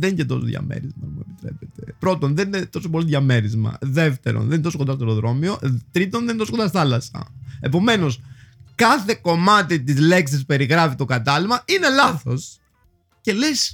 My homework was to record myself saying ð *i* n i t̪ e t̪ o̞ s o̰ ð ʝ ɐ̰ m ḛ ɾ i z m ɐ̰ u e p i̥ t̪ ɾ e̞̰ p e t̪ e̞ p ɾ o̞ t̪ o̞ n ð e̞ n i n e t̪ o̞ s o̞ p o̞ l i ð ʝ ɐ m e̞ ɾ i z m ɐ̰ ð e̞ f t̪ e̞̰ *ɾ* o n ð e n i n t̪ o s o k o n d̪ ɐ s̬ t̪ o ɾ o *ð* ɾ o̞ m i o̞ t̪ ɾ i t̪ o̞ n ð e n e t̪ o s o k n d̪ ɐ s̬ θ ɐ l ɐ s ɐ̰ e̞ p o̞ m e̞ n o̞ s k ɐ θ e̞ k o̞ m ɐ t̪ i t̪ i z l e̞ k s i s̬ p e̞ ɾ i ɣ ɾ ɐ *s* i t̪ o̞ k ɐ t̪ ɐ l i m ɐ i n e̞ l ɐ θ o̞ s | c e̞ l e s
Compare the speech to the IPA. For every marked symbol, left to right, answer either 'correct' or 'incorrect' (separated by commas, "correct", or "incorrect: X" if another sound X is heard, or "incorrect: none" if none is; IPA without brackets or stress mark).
incorrect: e, correct, correct, incorrect: f